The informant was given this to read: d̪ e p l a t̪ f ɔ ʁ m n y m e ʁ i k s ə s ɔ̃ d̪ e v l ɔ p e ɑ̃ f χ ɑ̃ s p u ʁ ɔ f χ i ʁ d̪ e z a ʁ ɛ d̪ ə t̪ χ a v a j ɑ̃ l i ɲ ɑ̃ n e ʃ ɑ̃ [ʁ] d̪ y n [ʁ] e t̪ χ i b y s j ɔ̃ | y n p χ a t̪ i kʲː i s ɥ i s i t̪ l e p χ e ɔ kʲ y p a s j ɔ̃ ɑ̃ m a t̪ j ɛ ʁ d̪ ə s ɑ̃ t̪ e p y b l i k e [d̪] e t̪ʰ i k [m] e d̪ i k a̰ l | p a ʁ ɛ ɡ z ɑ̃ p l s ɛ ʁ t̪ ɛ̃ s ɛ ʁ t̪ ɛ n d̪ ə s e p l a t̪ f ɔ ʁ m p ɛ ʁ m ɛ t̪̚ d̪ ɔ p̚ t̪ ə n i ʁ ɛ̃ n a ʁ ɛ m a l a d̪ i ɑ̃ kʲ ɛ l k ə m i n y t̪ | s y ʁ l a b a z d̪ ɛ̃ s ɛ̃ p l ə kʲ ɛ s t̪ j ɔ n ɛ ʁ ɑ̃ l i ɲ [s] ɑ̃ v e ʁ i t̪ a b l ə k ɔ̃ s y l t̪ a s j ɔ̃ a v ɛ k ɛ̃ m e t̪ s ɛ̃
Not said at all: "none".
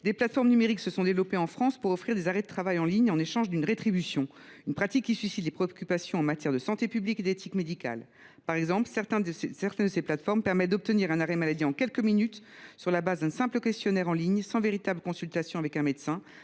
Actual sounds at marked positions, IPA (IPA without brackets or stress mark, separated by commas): ʒ, ʁ, d̪, m, s